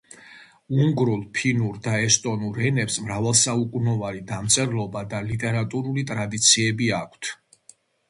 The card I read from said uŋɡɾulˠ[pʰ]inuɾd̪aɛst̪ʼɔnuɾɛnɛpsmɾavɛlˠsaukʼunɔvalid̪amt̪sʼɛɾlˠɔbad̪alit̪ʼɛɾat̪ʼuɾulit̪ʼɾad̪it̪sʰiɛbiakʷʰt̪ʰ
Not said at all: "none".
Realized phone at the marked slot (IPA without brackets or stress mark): pʰ